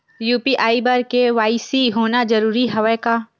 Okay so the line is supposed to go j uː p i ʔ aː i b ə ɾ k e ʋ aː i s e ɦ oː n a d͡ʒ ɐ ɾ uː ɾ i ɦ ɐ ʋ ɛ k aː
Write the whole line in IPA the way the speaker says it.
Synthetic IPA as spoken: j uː p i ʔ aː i b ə ɾ k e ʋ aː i s i ɦ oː n a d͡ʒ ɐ ɾ uː ɾ i ɦ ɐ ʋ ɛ k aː